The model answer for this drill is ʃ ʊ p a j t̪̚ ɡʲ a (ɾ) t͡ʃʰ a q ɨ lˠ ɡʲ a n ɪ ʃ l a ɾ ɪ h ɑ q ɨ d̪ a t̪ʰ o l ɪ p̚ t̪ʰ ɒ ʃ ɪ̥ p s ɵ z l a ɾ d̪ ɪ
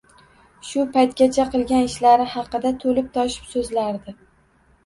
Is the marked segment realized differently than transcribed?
yes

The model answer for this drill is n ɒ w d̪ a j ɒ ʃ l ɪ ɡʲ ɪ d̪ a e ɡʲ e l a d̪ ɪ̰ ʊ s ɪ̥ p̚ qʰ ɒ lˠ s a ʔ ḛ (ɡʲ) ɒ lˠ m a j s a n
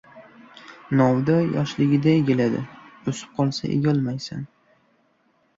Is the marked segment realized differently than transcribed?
no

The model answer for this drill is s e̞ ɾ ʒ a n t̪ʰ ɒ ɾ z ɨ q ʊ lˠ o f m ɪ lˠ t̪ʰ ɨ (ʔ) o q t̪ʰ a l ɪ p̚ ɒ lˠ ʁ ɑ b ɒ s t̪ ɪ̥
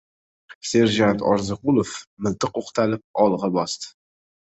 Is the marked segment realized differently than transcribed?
yes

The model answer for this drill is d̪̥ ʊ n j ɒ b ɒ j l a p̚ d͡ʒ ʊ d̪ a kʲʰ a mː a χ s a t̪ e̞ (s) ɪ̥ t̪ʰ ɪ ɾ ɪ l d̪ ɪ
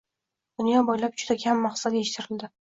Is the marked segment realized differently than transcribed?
yes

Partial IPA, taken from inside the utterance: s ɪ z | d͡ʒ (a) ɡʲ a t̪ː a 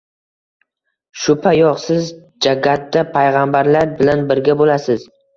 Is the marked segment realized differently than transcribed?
no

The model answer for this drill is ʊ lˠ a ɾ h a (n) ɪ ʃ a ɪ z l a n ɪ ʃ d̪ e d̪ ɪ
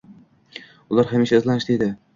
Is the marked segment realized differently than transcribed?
yes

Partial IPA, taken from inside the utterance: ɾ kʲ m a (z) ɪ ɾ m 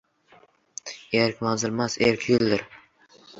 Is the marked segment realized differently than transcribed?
no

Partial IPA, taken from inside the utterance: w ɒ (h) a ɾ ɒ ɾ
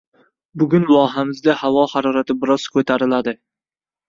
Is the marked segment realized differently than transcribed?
no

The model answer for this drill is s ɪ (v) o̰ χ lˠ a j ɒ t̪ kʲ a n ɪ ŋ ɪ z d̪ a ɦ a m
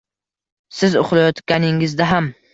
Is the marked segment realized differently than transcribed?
yes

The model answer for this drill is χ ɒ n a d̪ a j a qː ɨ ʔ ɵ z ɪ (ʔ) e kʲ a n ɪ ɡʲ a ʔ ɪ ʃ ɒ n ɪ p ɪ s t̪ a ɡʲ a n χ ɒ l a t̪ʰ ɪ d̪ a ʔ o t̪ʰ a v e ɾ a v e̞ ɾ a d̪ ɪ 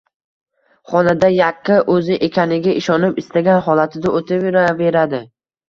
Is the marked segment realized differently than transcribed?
no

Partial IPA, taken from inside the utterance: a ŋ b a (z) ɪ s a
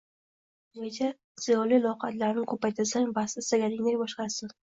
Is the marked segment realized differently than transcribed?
yes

